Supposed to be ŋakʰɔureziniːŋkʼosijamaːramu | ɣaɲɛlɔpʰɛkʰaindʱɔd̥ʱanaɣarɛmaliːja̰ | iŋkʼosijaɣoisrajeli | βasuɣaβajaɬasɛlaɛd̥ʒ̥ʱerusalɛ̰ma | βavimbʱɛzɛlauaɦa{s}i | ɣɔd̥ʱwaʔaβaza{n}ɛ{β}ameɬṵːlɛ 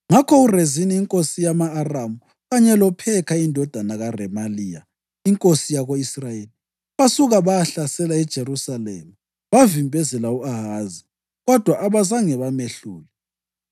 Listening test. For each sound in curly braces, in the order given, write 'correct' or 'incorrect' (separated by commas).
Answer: incorrect, incorrect, correct